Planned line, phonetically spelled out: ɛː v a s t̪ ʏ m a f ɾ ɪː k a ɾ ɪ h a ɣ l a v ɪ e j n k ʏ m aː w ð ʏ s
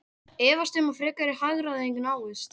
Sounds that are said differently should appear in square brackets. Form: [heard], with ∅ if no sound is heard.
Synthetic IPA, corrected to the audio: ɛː v a s t̪ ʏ m a f ɾ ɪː k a ɾ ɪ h a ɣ [ɾ] a [ð] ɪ e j [ŋ] k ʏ [n] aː w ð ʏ s

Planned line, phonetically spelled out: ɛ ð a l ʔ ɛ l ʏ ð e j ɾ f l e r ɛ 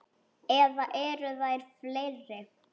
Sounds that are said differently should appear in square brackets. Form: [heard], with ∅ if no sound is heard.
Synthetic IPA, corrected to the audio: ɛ ð a [∅] ʔ ɛ [ɾ] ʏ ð [a] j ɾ f l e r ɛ

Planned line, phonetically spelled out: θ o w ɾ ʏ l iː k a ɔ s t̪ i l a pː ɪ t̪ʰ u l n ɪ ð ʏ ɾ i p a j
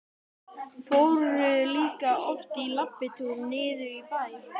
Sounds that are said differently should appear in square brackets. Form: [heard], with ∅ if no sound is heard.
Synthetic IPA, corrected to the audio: [f] o w ɾ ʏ l iː k a ɔ [f] t̪ i l a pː ɪ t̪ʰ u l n [ɪː] ð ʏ ɾ i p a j

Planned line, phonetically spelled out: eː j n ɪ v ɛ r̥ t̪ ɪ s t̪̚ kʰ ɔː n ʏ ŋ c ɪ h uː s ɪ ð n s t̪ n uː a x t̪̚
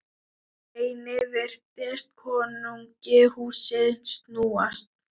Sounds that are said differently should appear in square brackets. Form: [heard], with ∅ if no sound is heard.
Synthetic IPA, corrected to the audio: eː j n ɪ v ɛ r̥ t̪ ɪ s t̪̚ kʰ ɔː n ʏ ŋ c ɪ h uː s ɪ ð n s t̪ n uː a [s] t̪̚

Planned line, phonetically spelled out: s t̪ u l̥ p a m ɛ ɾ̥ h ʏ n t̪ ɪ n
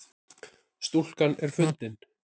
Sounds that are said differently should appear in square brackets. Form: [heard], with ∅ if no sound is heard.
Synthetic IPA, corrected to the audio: s t̪ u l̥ [k] a [n] ɛ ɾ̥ [f] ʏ n t̪ ɪ n

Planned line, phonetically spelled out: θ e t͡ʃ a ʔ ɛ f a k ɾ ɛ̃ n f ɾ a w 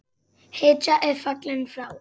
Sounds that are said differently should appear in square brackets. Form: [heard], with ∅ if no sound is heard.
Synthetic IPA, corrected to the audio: [h] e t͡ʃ a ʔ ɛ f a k [l] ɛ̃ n f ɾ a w

